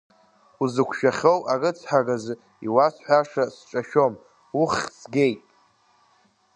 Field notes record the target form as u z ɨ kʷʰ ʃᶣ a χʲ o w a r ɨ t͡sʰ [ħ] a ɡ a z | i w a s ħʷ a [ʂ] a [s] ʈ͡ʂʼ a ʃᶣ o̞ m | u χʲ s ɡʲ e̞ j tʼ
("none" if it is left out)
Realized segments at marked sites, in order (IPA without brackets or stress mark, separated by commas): ħ, ʂ, s